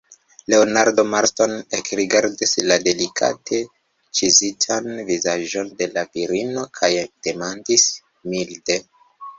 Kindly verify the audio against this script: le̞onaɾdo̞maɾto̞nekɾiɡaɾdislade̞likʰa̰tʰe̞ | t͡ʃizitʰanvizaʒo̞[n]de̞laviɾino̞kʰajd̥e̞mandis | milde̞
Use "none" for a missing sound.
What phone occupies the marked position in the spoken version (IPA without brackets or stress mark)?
n